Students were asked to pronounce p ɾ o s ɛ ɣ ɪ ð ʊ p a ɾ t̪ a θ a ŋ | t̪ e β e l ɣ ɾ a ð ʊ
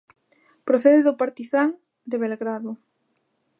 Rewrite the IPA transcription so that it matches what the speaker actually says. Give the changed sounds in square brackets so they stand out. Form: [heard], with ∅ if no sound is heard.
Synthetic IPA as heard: p ɾ o [θ] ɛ [ð] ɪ ð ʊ p a ɾ t̪ [i] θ a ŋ | [d̪] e β e l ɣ ɾ a ð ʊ